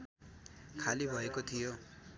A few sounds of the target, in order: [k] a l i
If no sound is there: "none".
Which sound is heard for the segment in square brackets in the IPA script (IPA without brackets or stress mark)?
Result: kʰ